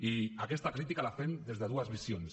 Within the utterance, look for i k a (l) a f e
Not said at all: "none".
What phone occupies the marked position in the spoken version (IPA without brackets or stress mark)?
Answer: l